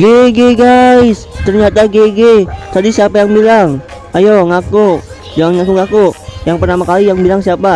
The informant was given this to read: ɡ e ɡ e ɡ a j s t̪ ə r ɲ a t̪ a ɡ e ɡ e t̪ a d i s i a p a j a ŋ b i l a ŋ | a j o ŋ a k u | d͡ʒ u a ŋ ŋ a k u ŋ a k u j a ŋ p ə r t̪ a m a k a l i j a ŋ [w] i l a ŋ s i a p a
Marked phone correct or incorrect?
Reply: incorrect